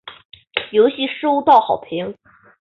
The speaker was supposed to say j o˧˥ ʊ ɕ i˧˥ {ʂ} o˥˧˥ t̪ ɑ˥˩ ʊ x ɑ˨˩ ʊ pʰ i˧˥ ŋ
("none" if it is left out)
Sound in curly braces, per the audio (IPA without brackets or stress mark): ʂ